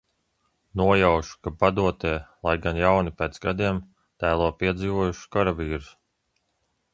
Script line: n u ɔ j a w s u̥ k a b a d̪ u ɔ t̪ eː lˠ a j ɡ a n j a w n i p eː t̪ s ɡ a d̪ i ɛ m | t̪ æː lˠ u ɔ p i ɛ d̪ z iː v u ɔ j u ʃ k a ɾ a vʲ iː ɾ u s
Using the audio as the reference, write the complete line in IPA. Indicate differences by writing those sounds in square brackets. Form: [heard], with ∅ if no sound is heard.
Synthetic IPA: n u ɔ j a w [ʃ] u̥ k a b a d̪ u ɔ t̪ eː lˠ a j ɡ a n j a w n i p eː t̪ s ɡ a d̪ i ɛ m | t̪ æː lˠ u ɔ p i ɛ d̪ z iː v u ɔ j u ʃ k a ɾ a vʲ iː ɾ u s

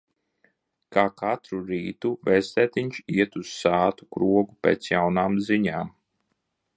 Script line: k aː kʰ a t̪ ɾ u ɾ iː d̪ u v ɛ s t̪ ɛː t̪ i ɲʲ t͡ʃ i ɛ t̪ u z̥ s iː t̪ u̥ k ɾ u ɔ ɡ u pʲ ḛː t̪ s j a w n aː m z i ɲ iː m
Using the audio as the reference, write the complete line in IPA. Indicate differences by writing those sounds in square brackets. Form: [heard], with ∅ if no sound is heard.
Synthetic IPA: k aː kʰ a t̪ ɾ u ɾ iː [t̪] u v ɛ s t̪ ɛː t̪ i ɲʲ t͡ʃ i ɛ t̪ u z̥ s [aː] t̪ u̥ k ɾ u ɔ ɡ u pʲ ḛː t̪ s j a w n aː m z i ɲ [aː] m

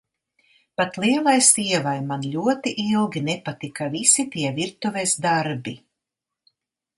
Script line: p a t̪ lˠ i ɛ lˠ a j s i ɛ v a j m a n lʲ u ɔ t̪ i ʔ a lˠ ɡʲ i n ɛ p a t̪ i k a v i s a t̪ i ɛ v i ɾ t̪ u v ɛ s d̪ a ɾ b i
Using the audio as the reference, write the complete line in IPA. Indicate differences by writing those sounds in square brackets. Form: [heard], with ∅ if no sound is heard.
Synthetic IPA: p a t̪ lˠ i ɛ lˠ a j s i ɛ v a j m a n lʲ u ɔ t̪ i ʔ [i] lˠ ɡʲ i n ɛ p a t̪ i k a v i s [i] t̪ i ɛ v i ɾ t̪ u v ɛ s d̪ a ɾ b i

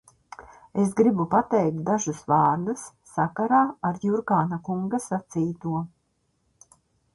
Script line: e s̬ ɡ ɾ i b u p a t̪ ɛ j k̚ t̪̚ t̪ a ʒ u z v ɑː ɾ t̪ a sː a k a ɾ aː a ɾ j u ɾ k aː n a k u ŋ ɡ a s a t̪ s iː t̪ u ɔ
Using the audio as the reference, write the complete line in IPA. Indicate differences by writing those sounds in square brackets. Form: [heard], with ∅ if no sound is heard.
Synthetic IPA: e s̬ ɡ ɾ i b u p a t̪ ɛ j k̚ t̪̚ [d̪] a ʒ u [s] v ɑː ɾ [d̪] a sː a k a ɾ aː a ɾ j u ɾ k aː n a k u ŋ ɡ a s a t̪ s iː t̪ u ɔ

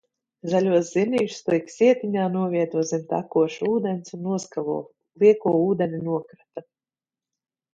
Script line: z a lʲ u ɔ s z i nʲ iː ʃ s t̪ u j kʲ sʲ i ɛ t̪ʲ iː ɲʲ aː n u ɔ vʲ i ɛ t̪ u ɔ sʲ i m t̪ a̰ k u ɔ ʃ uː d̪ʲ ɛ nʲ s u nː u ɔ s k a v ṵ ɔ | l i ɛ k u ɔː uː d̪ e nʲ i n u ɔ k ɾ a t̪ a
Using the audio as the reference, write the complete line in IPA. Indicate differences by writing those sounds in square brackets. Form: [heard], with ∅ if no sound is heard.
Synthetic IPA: z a lʲ u ɔ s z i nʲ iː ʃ s t̪ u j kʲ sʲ i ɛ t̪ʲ [i] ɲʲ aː n u ɔ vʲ i ɛ t̪ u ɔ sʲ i m t̪ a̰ k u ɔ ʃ uː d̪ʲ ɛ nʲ s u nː u ɔ s k a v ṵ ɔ | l i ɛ k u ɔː uː d̪ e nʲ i n u ɔ k ɾ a t̪ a

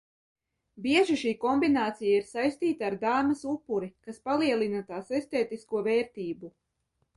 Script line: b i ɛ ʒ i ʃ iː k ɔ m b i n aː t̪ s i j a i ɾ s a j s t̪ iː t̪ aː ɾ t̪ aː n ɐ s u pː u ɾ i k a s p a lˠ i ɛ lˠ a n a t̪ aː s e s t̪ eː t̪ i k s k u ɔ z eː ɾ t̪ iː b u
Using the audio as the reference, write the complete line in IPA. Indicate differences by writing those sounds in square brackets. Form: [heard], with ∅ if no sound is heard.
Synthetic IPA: b i ɛ ʒ i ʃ iː k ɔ m b i n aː t̪ s i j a i ɾ s a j s t̪ iː t̪ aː ɾ [d̪] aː [m] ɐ s u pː u ɾ i k a s p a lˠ i ɛ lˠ [i] n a t̪ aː s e s t̪ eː t̪ i [∅] s k u ɔ [v] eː ɾ t̪ iː b u

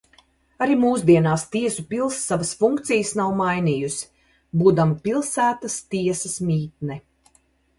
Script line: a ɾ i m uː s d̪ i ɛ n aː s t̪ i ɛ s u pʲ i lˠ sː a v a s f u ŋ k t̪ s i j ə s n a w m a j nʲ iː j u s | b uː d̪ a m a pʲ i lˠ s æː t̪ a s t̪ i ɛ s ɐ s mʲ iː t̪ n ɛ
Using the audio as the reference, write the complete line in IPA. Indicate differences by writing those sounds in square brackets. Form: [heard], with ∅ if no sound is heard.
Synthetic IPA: a ɾ i m uː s d̪ i ɛ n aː s t̪ i ɛ s u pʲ i lˠ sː a v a s f u ŋ k t̪ s i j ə s n a w m a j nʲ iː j u s | b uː d̪ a m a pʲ i lˠ s æː t̪ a s t̪ i ɛ s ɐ s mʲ iː t̪ n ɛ

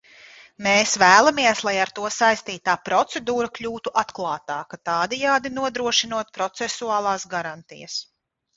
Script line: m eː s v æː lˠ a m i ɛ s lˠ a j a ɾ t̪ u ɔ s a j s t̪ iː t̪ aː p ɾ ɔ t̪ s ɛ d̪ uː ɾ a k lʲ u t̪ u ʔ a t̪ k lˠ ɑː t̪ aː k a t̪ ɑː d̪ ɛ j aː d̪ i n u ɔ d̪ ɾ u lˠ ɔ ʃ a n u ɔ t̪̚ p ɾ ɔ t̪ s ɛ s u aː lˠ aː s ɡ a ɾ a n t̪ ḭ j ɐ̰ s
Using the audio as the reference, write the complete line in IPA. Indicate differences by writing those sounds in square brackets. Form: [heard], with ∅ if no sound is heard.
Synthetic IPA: m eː s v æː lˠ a m i ɛ s lˠ a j a ɾ t̪ u ɔ s a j s t̪ iː t̪ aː p ɾ ɔ t̪ s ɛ d̪ uː ɾ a k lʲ [uː] t̪ u ʔ a t̪ k lˠ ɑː t̪ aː k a t̪ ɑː d̪ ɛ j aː d̪ i n u ɔ d̪ ɾ u [∅] ɔ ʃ [i] n u ɔ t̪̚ p ɾ ɔ t̪ s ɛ s u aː lˠ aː s ɡ a ɾ a n t̪ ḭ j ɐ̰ s

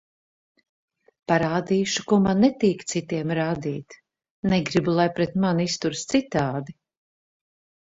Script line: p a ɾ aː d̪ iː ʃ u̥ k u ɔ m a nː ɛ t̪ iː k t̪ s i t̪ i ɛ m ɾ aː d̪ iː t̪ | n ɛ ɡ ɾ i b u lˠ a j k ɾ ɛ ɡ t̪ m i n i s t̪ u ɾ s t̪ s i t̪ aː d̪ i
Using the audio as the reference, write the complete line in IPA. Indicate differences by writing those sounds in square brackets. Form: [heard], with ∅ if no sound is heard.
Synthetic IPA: p a ɾ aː d̪ iː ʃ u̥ k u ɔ m a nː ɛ t̪ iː k t̪ s i t̪ i ɛ m ɾ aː d̪ iː t̪ | n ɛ ɡ ɾ i b u lˠ a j [p] ɾ ɛ [∅] t̪ m [a] n i s t̪ u ɾ s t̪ s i t̪ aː d̪ i

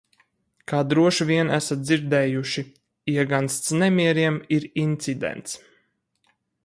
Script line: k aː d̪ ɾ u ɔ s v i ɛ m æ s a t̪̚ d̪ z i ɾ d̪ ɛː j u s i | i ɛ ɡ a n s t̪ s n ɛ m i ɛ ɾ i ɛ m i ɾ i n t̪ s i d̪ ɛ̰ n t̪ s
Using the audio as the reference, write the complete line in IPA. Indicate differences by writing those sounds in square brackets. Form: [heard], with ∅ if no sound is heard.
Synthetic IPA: k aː d̪ ɾ u ɔ [ʃ] v i ɛ [n] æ s a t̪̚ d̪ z i ɾ d̪ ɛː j u [ʃ] i | i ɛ ɡ a n s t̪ s n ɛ m i ɛ ɾ i ɛ m i ɾ i n t̪ s i d̪ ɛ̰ n t̪ s

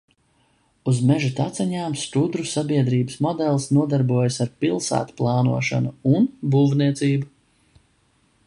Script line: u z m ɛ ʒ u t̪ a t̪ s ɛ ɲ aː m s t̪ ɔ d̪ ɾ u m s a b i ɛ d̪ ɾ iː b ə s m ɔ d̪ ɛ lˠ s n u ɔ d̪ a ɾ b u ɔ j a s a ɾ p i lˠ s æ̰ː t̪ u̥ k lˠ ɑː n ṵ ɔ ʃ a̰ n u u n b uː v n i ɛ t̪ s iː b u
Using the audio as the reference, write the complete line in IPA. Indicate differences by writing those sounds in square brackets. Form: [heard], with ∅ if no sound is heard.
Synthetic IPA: u z m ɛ ʒ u t̪ a t̪ s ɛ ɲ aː m s t̪ [u] d̪ ɾ u [∅] s a b i ɛ d̪ ɾ iː b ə s m ɔ d̪ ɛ lˠ s n u ɔ d̪ a ɾ b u ɔ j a s a ɾ p i lˠ s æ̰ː t̪ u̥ [p] lˠ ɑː n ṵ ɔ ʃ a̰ n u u n b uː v n i ɛ t̪ s iː b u

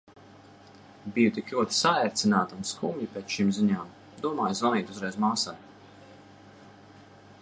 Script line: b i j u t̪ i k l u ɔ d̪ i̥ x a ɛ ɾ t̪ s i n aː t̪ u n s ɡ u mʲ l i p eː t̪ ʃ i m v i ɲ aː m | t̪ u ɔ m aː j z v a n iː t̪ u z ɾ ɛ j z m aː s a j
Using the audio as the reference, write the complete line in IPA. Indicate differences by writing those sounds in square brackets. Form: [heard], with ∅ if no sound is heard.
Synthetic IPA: b i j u t̪ i k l u ɔ [t̪] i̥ [s] a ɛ ɾ t̪ s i n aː t̪ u n s [k] u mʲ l i p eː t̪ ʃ i m [z] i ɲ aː m | [d̪] u ɔ m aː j z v a n iː t̪ u z ɾ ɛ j z m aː s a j

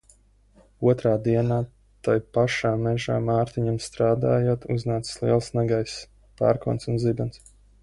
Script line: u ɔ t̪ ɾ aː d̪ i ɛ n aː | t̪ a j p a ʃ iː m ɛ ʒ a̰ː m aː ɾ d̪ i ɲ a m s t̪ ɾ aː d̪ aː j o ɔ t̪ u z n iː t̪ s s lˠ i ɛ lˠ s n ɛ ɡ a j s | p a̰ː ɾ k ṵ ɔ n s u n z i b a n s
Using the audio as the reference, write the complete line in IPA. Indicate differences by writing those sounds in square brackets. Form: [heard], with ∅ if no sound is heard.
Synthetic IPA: u ɔ t̪ ɾ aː d̪ i ɛ n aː | t̪ a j p a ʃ [aː] m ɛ ʒ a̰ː m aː ɾ [t̪] i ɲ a m s t̪ ɾ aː d̪ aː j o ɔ t̪ u z n [aː] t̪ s s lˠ i ɛ lˠ s n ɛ ɡ a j s | p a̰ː ɾ k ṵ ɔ n s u n z i b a n s

